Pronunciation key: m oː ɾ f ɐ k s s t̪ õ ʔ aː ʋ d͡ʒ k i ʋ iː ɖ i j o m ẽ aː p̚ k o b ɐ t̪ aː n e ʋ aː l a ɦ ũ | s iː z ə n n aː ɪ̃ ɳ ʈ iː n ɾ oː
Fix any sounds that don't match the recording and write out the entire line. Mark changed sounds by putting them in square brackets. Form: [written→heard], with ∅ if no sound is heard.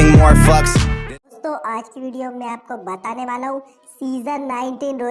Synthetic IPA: m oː ɾ f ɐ k s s t̪ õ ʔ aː [ʋ→∅] d͡ʒ k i ʋ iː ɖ i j o m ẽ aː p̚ k o b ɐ t̪ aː n e ʋ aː l a ɦ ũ | s iː z ə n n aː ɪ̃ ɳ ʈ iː n ɾ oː

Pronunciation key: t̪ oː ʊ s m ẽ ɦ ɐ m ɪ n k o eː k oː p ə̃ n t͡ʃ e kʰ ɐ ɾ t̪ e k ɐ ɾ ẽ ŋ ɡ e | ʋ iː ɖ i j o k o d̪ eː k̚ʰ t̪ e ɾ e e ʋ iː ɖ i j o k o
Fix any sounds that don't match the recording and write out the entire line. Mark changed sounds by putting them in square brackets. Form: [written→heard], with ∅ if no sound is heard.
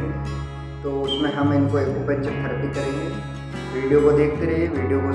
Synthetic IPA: t̪ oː ʊ s m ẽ ɦ ɐ m ɪ n k o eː k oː p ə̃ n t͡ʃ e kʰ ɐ ɾ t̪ [e→i] k ɐ ɾ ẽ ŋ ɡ e | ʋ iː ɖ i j o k o d̪ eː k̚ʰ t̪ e ɾ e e ʋ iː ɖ i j o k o

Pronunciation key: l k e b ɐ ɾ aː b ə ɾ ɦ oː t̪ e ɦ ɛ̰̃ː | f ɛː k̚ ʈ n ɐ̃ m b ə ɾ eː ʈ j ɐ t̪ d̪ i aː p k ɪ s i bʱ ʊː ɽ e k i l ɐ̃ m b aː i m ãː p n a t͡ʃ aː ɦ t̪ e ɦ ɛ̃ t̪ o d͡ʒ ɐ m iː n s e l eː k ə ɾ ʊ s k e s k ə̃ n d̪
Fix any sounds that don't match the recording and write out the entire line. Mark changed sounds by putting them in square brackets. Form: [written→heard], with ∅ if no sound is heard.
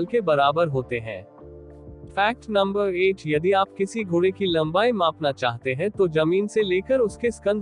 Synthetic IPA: l k e b ɐ ɾ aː b ə ɾ ɦ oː t̪ e ɦ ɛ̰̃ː | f ɛː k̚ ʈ n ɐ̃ m b ə ɾ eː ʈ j ɐ [t̪→∅] d̪ i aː p k ɪ s i [bʱ→ɡʱ] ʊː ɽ e k i l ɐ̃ m b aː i m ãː p n a t͡ʃ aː ɦ t̪ e ɦ ɛ̃ t̪ o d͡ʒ ɐ m iː n s e l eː k ə ɾ ʊ s k e s k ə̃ n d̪

